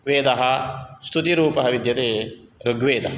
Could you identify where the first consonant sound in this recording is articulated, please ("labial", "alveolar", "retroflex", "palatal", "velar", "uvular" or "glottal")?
labial